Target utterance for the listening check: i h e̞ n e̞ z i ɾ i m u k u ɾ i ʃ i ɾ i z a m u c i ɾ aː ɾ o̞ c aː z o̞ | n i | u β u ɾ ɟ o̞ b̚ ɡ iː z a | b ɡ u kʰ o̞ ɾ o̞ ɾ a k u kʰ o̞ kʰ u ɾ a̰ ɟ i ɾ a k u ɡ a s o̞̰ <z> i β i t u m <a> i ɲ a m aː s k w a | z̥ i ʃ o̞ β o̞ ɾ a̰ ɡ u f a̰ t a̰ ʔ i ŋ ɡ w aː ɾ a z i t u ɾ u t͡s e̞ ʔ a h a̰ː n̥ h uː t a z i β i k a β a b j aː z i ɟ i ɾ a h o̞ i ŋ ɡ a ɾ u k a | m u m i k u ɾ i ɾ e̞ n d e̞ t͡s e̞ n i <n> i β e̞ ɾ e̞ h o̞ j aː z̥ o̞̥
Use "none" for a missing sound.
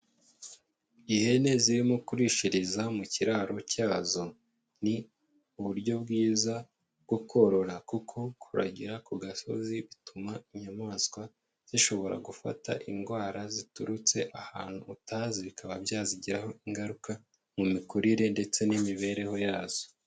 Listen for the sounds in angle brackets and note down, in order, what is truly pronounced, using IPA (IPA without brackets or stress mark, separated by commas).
z, a, m